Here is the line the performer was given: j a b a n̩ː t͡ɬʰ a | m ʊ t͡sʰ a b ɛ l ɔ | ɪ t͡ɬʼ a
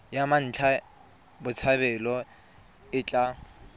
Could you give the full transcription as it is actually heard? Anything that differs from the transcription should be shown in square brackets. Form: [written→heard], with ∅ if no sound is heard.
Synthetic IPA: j a [b→m] a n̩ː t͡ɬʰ a | [m→b] ʊ t͡sʰ a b ɛ l ɔ | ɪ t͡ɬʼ a